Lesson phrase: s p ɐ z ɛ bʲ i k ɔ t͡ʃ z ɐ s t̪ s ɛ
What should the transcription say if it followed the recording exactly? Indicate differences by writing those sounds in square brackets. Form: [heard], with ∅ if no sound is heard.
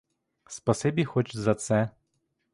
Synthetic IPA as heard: s p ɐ [s] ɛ bʲ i [x] ɔ t͡ʃ z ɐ [∅] t̪ s ɛ